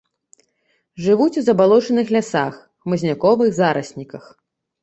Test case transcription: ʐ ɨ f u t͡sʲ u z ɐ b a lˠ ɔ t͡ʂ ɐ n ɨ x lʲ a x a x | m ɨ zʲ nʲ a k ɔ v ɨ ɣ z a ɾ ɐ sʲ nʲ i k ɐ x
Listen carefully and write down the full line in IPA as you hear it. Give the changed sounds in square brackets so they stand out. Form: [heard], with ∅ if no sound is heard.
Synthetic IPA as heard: ʐ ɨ [v] u t͡sʲ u z ɐ b a lˠ ɔ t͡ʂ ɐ n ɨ x lʲ a [s] a x | m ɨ zʲ nʲ a k ɔ v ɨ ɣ z a ɾ ɐ sʲ nʲ i k ɐ x

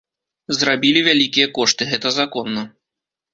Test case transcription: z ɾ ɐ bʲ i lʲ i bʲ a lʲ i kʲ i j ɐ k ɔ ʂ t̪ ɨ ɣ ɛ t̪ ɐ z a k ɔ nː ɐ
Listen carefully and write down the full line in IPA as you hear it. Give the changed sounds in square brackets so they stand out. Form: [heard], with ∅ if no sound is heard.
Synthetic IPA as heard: z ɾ [a] bʲ i lʲ i [vʲ] a lʲ i kʲ i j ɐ k ɔ ʂ t̪ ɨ ɣ ɛ t̪ ɐ z a k ɔ nː ɐ

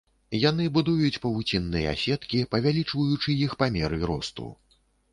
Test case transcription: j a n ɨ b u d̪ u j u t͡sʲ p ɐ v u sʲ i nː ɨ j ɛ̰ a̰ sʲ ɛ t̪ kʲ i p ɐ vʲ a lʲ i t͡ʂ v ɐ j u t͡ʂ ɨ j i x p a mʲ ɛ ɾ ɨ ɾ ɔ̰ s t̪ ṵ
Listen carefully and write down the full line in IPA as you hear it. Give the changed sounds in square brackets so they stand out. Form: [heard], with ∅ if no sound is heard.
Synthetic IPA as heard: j a n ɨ b u d̪ u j u t͡sʲ p ɐ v u [t͡sʲ] i nː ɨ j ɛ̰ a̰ sʲ ɛ t̪ kʲ i p ɐ vʲ a lʲ i t͡ʂ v ɐ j u t͡ʂ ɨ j i x p a mʲ ɛ ɾ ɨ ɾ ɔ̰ s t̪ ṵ

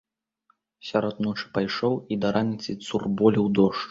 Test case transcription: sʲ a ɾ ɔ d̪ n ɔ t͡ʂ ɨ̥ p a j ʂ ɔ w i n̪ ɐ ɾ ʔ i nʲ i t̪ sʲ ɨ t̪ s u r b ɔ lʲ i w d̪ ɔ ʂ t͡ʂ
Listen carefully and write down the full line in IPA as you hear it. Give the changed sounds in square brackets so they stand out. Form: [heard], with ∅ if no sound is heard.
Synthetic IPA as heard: sʲ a ɾ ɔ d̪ n ɔ t͡ʂ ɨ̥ p a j ʂ ɔ w i [d̪] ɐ ɾ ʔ [a] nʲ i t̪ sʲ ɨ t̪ s u r b ɔ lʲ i w d̪ ɔ ʂ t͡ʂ

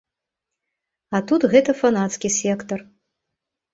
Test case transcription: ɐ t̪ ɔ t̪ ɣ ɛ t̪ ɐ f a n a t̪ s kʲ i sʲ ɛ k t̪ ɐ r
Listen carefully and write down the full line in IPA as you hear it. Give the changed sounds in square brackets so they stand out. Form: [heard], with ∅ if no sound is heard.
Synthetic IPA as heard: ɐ t̪ [u] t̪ ɣ ɛ t̪ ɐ f a n a t̪ s kʲ i sʲ ɛ k t̪ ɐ r

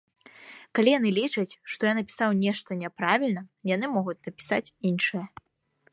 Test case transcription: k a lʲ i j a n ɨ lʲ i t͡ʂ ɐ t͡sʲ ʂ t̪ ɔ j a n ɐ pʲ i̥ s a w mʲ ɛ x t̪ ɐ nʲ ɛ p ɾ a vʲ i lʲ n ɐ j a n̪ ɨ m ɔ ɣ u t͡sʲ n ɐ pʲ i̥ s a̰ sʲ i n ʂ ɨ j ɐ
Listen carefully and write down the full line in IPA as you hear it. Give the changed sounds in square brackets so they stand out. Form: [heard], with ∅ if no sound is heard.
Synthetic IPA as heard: k a lʲ i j a n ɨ lʲ i t͡ʂ ɐ t͡sʲ ʂ t̪ ɔ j a n ɐ pʲ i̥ s a w [nʲ] ɛ [ʂ] t̪ ɐ nʲ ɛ p ɾ a vʲ i lʲ n ɐ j a n̪ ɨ m ɔ ɣ u t͡sʲ n ɐ pʲ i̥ s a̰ [t͡sʲ] i n ʂ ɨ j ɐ

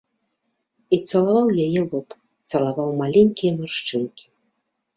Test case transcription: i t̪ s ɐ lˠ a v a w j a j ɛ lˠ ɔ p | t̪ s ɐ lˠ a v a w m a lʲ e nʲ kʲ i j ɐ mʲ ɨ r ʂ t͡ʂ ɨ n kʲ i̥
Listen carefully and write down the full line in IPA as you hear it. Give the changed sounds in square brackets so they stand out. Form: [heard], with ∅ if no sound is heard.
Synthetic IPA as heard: i t̪ s ɐ lˠ a v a w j a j ɛ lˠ ɔ p | t̪ s ɐ lˠ a v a w m a lʲ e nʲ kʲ i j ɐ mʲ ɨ r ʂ t͡ʂ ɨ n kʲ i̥

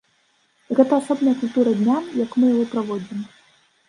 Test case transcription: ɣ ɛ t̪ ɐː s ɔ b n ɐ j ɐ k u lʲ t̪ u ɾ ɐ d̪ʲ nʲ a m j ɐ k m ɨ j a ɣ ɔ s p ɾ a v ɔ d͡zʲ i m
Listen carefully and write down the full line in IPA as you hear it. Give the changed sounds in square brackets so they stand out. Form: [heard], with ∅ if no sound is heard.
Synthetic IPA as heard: ɣ ɛ t̪ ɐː s ɔ b n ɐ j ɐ k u lʲ t̪ u ɾ ɐ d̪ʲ nʲ a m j ɐ k m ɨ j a ɣ ɔ [∅] p ɾ a v ɔ d͡zʲ i m

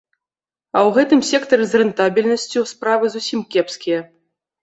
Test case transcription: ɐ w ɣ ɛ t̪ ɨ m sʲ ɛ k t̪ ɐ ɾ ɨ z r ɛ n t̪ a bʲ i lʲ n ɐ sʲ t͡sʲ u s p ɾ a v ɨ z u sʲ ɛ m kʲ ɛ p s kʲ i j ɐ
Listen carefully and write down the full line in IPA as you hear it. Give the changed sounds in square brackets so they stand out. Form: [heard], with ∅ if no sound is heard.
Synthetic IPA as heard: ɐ w ɣ ɛ t̪ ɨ m sʲ ɛ k t̪ ɐ ɾ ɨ z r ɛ n t̪ a bʲ i lʲ n ɐ sʲ t͡sʲ u s p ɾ a v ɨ z u sʲ [i] m kʲ ɛ p s kʲ i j ɐ

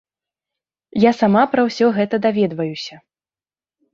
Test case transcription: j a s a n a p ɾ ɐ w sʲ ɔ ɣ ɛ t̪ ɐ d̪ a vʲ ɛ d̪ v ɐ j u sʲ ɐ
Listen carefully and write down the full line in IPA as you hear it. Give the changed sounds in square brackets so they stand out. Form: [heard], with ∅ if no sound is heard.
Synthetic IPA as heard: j a s a [m] a p ɾ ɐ w sʲ ɔ ɣ ɛ t̪ ɐ d̪ a vʲ ɛ d̪ v ɐ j u sʲ ɐ

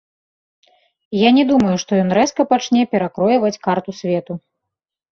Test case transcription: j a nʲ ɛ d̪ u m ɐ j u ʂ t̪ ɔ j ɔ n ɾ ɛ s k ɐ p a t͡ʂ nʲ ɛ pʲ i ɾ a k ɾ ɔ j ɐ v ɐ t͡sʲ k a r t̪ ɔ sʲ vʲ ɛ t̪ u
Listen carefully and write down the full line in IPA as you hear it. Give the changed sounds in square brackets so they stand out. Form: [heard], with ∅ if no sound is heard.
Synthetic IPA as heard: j a nʲ ɛ d̪ u m ɐ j u ʂ t̪ ɔ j ɔ n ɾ ɛ s k ɐ p a t͡ʂ nʲ ɛ pʲ [ɛ] ɾ a k ɾ ɔ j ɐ v ɐ t͡sʲ k a r t̪ [u] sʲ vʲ ɛ t̪ u

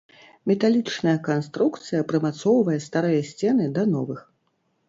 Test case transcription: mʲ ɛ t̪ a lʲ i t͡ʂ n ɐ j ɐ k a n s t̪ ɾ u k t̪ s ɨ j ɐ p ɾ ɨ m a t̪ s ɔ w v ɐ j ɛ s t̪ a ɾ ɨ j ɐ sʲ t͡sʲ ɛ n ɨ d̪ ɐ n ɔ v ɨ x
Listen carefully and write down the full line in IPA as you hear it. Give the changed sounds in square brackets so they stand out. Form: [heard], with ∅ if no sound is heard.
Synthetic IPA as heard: mʲ ɛ t̪ a lʲ i t͡ʂ n ɐ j ɐ k a n s t̪ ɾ u k t̪ s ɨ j ɐ p ɾ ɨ m a t̪ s ɔ w v ɐ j ɛ s t̪ a ɾ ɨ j ɐ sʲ t͡sʲ ɛ n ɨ d̪ ɐ n ɔ v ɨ x

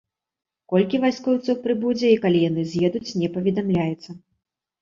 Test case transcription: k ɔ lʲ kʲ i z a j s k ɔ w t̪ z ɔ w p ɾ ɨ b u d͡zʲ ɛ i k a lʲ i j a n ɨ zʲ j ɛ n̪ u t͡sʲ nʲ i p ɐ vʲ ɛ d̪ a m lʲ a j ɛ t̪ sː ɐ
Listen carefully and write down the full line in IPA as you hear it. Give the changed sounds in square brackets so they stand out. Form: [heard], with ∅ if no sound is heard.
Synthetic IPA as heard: k ɔ lʲ kʲ i [v] a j s k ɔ w t̪ [s] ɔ w p ɾ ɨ b u d͡zʲ ɛ i k a lʲ i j a n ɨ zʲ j ɛ [d̪] u t͡sʲ nʲ [ɛ] p ɐ vʲ ɛ d̪ a m lʲ a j ɛ t̪ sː ɐ

